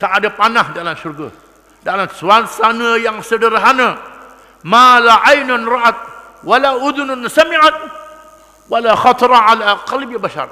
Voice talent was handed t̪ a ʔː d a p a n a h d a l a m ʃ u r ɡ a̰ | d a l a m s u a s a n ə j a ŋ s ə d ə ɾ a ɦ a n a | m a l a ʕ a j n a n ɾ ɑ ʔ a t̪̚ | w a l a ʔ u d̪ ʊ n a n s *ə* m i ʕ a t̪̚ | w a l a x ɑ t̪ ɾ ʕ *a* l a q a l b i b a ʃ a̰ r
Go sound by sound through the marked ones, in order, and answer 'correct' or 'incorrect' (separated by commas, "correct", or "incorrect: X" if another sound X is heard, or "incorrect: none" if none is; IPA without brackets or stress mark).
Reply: incorrect: a, correct